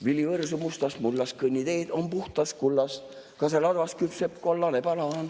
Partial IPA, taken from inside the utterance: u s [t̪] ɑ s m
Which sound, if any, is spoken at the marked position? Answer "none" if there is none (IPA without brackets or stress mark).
t̪